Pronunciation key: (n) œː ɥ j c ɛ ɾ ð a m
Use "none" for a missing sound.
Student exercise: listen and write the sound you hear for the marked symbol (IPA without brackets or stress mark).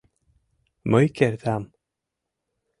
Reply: m